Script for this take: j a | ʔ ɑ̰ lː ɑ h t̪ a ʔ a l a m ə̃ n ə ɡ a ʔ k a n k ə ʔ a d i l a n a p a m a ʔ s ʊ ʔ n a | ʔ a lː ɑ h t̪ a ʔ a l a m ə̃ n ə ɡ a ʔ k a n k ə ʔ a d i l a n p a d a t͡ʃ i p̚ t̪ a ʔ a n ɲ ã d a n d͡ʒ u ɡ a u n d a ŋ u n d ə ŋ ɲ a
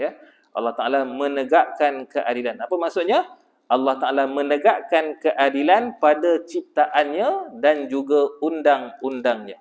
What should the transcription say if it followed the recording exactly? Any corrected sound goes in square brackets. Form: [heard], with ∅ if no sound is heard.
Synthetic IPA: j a | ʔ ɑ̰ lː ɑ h t̪ a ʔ a l a m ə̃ n ə ɡ a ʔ k a n k ə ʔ a d i l a n a p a m a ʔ s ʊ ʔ [ɲ] a | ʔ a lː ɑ h t̪ a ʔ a l a m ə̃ n ə ɡ a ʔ k a n k ə ʔ a d i l a n p a d a t͡ʃ i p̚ t̪ a ʔ a n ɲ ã d a n d͡ʒ u ɡ a u n d a ŋ u n d [a] ŋ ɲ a

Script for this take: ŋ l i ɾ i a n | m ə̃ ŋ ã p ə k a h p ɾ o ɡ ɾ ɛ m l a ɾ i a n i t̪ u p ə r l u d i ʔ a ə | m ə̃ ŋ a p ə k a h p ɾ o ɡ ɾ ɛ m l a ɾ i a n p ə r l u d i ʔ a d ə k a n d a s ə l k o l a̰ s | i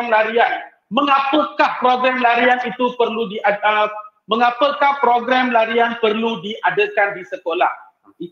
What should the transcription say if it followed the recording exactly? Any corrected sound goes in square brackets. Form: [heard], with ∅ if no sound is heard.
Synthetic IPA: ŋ l [a] ɾ i a n | m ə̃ ŋ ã p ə k a h p ɾ o ɡ ɾ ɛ m l a ɾ i a n i t̪ u p ə r l u d i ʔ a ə | m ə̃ ŋ a p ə k a h p ɾ o ɡ ɾ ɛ m l a ɾ i a n p ə r l u d i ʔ a d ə k a n d [i] s ə [∅] k o l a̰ [h] | i

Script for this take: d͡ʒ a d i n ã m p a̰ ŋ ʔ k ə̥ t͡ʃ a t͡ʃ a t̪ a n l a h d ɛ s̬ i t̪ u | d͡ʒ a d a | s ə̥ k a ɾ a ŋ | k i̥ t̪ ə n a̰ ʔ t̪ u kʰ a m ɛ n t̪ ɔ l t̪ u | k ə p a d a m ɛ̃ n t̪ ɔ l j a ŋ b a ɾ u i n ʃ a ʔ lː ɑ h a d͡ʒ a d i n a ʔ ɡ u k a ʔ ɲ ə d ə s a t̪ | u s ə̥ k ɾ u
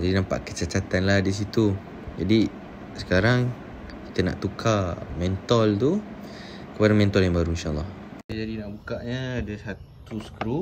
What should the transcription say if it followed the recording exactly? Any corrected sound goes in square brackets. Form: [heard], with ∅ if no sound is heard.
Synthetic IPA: d͡ʒ a d i n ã m p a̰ [∅] ʔ k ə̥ t͡ʃ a t͡ʃ a t̪ a n l a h d [i] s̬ i t̪ u | d͡ʒ a d [i] | s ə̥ k a ɾ a ŋ | k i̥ t̪ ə n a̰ ʔ t̪ u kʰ a m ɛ n t̪ ɔ l t̪ u | k ə p a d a m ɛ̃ n t̪ ɔ l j a ŋ b a ɾ u i n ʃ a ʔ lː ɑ h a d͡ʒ a d i n a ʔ [b] u k a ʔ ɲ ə d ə s a t̪ | u s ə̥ k ɾ u

